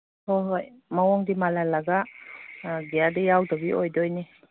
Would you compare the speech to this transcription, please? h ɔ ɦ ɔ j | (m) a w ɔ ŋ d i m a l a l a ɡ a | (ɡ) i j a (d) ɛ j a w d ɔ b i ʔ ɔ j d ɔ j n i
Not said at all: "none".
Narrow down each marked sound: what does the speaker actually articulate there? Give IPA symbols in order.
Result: m, ɡ, d

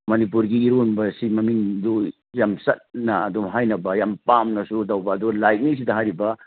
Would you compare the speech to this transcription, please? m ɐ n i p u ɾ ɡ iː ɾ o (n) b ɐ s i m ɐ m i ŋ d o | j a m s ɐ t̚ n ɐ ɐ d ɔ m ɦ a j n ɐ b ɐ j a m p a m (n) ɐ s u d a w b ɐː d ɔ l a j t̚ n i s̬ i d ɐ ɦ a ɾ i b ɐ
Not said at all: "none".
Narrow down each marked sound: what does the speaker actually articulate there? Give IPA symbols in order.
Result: n, n

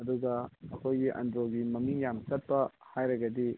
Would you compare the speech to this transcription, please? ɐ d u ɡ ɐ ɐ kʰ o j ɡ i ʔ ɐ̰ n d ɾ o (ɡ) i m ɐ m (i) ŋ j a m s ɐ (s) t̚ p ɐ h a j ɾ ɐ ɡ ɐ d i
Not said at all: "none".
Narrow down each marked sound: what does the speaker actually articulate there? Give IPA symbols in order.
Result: ɡ, i, none

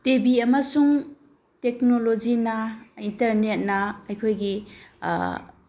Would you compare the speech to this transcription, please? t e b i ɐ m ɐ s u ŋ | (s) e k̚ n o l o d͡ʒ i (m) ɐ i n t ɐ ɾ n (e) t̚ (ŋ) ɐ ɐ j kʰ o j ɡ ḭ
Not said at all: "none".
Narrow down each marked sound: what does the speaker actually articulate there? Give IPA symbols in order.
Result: t, n, e, n

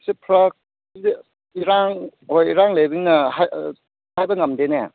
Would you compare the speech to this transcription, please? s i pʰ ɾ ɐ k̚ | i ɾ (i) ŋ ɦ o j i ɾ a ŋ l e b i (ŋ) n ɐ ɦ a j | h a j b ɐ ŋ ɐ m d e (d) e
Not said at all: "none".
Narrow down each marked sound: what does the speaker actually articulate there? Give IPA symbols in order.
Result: a, ŋ, n

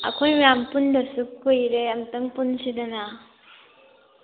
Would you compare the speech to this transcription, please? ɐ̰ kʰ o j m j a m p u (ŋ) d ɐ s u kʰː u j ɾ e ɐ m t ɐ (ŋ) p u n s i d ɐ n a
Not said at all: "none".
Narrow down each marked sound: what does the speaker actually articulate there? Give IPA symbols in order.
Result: n, ŋ

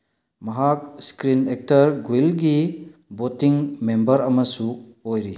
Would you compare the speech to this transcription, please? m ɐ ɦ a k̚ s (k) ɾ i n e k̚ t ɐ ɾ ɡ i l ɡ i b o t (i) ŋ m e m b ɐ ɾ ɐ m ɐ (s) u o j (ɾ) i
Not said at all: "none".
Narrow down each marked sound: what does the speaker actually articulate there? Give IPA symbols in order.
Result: k, i, s, ɾ

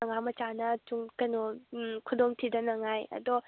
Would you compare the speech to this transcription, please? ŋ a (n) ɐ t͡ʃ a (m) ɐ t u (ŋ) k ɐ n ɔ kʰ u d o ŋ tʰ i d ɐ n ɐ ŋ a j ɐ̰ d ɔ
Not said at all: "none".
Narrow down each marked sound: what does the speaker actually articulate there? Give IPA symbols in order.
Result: m, n, ŋ

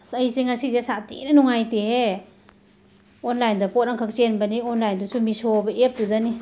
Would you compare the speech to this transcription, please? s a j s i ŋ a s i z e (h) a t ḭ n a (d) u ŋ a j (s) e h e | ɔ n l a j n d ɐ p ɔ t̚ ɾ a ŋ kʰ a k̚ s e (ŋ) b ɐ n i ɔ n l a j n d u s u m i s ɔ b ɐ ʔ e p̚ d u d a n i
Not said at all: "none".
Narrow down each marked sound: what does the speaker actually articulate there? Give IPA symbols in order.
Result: s, n, t, n

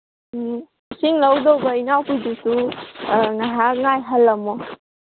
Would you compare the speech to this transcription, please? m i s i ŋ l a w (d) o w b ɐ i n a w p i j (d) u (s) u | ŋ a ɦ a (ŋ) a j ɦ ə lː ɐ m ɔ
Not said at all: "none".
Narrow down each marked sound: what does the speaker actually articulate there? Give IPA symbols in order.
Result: d, d, s, ŋ

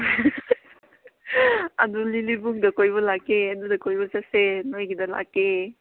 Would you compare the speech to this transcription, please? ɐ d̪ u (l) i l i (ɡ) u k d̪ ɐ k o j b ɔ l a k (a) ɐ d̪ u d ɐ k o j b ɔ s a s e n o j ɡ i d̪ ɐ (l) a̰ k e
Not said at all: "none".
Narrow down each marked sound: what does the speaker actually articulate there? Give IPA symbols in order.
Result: l, b, e, l

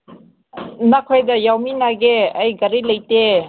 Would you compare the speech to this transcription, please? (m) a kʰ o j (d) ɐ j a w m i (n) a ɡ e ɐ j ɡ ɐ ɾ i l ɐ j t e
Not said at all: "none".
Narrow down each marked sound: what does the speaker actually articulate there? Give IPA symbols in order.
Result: n, d, n

